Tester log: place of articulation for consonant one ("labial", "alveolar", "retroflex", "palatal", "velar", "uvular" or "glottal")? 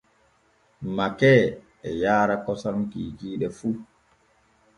labial